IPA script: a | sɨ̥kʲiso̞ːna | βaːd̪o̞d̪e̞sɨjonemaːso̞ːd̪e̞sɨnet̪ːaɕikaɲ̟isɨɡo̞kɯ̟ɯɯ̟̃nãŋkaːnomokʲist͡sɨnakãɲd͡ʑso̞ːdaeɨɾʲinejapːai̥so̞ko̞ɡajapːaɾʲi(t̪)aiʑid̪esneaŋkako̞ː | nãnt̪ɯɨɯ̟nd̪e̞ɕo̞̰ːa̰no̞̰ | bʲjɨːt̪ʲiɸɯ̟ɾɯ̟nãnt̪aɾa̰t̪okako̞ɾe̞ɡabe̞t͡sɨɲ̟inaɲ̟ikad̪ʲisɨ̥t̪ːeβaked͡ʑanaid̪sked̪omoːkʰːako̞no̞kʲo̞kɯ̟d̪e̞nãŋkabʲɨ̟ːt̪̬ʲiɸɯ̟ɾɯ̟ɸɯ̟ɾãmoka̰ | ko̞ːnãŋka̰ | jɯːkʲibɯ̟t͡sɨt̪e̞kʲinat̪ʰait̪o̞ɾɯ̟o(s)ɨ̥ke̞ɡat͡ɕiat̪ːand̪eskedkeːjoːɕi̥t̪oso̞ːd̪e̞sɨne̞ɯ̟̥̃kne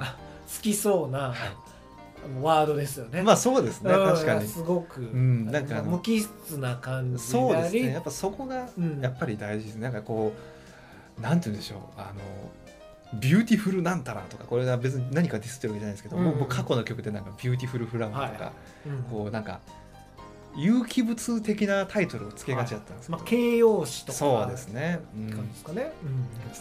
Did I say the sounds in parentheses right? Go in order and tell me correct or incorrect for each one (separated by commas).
incorrect, incorrect